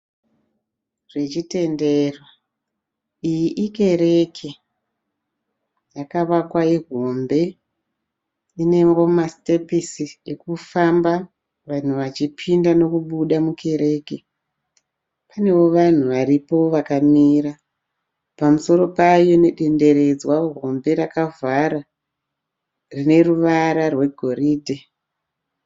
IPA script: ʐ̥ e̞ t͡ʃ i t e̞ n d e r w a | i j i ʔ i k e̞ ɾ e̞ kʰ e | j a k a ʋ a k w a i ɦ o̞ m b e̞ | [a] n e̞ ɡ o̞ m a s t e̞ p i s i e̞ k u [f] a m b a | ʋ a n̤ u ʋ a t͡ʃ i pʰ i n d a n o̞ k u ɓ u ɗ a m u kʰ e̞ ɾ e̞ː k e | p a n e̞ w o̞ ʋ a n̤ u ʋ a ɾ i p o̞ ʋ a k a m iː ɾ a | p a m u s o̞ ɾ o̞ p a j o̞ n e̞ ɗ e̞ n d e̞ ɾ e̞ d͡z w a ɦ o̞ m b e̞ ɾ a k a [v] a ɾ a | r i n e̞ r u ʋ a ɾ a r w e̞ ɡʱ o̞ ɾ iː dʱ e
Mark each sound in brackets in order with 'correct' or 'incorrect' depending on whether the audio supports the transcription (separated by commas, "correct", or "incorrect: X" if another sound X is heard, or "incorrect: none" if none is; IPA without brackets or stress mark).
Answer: incorrect: i, correct, correct